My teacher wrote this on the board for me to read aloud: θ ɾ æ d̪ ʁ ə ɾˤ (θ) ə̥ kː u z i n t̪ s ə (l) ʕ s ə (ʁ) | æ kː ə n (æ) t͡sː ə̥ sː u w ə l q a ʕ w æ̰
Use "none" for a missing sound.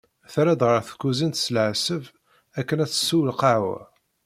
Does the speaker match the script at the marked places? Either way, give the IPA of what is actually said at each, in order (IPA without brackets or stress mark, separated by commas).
θ, l, v, æ